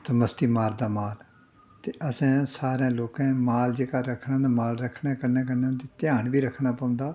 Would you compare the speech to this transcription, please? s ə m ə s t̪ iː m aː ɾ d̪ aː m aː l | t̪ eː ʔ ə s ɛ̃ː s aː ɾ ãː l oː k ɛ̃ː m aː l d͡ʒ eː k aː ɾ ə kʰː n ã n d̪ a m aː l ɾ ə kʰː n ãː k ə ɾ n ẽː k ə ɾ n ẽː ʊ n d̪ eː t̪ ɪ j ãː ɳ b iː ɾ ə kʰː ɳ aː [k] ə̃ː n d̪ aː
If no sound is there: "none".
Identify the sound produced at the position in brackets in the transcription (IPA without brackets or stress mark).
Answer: p